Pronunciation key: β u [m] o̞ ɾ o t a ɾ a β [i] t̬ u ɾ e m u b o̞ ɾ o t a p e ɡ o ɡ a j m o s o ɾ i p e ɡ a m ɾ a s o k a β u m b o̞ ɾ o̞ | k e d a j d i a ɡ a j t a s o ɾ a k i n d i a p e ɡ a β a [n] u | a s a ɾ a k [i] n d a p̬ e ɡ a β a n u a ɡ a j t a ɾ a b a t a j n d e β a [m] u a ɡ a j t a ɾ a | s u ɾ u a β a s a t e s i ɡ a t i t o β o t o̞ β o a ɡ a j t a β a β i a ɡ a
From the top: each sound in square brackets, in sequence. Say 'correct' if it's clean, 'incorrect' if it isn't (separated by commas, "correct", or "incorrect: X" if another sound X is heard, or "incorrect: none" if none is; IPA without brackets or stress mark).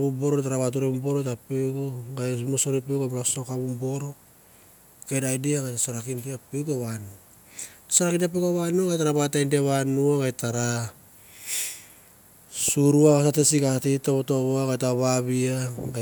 incorrect: b, incorrect: a, correct, correct, incorrect: n